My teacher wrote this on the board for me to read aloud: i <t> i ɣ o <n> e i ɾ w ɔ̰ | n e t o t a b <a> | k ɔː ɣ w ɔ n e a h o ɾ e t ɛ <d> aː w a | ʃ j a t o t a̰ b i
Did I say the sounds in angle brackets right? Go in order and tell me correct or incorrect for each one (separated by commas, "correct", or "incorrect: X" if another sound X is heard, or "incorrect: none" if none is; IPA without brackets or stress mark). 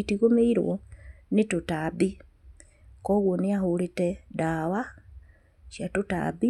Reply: correct, incorrect: m, incorrect: i, correct